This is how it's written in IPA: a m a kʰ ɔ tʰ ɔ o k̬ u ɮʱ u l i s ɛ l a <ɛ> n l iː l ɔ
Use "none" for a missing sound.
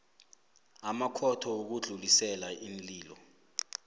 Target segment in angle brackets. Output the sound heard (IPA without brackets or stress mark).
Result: i